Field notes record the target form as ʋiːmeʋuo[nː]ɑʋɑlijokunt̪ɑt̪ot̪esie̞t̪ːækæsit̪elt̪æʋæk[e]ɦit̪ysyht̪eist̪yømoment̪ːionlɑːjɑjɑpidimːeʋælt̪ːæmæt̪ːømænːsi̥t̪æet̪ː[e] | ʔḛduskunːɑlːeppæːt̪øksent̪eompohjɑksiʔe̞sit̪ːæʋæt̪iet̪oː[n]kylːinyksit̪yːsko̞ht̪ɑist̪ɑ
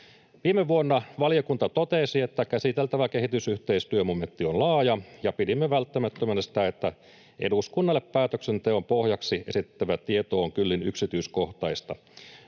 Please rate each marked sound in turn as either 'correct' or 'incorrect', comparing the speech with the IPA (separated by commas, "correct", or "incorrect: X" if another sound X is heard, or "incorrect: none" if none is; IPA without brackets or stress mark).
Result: correct, correct, incorrect: æ, incorrect: ŋ